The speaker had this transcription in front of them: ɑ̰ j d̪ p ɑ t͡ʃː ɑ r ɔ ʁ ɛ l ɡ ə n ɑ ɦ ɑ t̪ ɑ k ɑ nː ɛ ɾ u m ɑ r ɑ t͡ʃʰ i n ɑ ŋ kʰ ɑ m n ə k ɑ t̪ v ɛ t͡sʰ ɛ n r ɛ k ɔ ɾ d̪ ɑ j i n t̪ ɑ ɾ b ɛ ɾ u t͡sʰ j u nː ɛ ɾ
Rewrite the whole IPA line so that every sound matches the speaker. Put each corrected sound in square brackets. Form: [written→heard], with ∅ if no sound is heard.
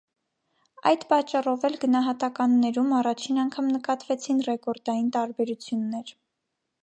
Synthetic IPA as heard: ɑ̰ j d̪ p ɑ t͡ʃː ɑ r ɔ [ʁ→v] ɛ l ɡ ə n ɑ ɦ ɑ t̪ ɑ k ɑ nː ɛ ɾ u m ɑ r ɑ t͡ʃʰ i n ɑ ŋ kʰ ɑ m n ə k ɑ t̪ v ɛ t͡sʰ [ɛ→i] n r ɛ k ɔ ɾ d̪ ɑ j i n t̪ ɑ ɾ b ɛ ɾ u t͡sʰ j u nː ɛ ɾ